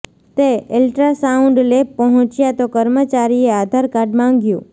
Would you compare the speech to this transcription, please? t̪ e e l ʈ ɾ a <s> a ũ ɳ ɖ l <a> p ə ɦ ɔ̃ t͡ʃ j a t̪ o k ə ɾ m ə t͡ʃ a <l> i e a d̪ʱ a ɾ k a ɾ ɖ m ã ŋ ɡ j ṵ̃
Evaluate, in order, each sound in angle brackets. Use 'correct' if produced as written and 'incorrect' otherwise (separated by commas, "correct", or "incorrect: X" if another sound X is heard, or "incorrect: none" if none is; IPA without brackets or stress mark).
correct, incorrect: e, incorrect: ɾ